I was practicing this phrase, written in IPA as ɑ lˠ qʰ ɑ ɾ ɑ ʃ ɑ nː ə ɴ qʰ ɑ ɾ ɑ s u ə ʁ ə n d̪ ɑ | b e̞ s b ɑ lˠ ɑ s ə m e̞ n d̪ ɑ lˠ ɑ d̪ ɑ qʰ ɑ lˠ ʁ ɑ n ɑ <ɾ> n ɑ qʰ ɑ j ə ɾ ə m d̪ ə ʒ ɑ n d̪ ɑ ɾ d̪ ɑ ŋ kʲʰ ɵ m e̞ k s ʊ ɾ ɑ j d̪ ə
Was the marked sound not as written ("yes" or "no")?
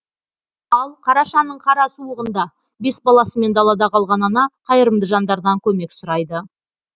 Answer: yes